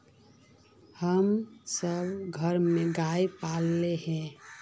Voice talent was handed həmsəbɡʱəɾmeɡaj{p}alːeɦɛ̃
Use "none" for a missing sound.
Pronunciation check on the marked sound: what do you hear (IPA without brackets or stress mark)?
p